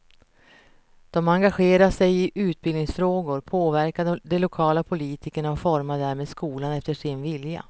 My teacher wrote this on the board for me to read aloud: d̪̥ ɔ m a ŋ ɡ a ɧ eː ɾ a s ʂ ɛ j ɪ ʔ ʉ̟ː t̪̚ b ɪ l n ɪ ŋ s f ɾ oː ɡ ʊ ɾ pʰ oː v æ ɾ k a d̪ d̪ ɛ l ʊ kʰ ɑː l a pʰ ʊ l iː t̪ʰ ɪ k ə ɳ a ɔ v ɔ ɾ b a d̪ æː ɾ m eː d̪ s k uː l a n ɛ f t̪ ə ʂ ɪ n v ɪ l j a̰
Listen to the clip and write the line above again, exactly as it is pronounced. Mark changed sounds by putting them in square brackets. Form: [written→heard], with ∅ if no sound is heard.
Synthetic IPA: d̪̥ ɔ m a ŋ ɡ a ɧ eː ɾ a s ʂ ɛ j ɪ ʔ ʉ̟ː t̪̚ b ɪ l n ɪ ŋ s f ɾ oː ɡ ʊ ɾ pʰ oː v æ ɾ k a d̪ d̪ ɛ l ʊ kʰ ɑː l a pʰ ʊ l iː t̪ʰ ɪ k ə ɳ a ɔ [v→f] ɔ ɾ [b→m] a d̪ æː ɾ m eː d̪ s k uː l a n ɛ f t̪ ə ʂ ɪ n v ɪ l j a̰